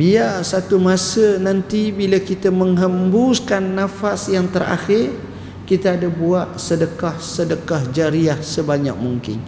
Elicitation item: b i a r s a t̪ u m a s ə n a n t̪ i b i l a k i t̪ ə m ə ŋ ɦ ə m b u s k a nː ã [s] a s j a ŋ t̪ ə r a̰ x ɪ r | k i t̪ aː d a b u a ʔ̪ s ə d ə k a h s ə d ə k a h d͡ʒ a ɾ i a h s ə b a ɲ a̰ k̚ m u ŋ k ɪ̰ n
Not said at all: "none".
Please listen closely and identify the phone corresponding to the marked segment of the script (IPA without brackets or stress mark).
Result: f